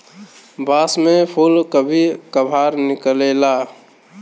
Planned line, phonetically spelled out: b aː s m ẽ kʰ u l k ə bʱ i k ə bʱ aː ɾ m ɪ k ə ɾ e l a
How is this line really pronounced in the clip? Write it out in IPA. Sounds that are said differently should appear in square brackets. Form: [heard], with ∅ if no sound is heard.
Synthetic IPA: b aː s m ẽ [pʰ] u l k ə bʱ i k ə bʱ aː ɾ [n] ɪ k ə [l] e l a